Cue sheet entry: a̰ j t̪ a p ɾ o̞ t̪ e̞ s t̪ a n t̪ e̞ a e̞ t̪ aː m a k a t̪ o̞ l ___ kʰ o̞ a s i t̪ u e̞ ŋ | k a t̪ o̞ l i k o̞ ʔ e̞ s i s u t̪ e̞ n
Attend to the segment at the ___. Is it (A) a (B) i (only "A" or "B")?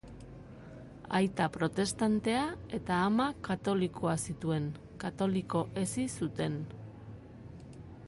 B